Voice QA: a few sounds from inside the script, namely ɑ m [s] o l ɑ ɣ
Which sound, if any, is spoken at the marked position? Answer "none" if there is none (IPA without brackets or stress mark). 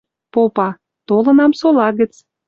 s